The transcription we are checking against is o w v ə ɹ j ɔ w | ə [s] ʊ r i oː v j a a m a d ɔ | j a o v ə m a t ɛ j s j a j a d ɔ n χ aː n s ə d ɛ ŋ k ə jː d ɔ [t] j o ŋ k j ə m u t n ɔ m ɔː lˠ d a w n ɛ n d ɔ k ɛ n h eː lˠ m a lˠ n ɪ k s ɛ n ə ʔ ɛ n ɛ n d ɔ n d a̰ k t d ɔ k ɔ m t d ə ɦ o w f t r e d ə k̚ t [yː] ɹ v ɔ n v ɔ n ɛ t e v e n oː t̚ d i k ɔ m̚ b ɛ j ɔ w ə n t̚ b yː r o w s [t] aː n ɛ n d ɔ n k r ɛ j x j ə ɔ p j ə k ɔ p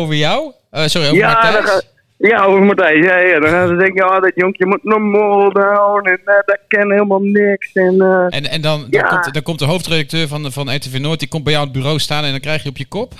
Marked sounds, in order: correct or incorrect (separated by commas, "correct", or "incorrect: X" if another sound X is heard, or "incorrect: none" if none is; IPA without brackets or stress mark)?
correct, correct, incorrect: øː, correct